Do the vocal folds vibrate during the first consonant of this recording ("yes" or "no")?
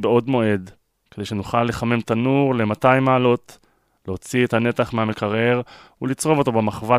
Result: yes